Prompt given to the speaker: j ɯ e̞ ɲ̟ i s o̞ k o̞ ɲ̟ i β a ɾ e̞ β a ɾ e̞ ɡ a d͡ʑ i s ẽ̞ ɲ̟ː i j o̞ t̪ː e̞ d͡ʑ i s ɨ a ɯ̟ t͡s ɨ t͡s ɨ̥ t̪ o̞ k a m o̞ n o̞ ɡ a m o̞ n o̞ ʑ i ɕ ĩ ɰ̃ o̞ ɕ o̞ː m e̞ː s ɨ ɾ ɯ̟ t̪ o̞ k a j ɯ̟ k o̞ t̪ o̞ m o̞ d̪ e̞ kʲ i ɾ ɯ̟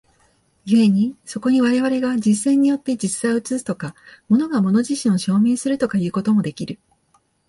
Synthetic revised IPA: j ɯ e̞ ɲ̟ i s o̞ k o̞ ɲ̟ i β a ɾ e̞ β a ɾ e̞ ɡ a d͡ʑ i s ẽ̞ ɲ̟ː i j o̞ t̪ː e̞ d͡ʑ i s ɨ a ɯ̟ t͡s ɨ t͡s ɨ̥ t̪ o̞ k a m o̞ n o̞ ɡ a m o̞ n o̞ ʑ i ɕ ĩ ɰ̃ o̞ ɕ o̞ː m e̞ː s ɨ ɾ ɯ̟ t̪ o̞ k a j ɯ̟ː k o̞ t̪ o̞ m o̞ d̪ e̞ kʲ i ɾ ɯ̟